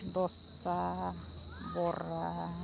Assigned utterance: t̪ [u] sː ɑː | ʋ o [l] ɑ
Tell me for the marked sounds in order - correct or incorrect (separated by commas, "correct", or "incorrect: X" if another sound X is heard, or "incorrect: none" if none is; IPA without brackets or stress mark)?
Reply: incorrect: o, incorrect: r